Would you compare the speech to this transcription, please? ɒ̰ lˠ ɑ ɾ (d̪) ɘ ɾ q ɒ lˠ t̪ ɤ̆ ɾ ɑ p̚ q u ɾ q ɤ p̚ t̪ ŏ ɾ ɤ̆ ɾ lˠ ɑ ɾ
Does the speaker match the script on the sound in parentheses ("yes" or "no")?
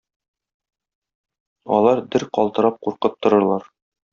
yes